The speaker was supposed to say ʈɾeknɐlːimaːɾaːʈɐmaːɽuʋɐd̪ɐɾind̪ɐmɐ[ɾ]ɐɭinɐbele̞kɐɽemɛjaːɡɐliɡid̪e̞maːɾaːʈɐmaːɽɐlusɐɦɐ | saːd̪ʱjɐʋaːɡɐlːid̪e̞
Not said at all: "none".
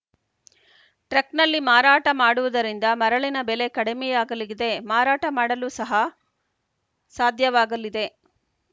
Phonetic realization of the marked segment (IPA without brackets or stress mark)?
ɾ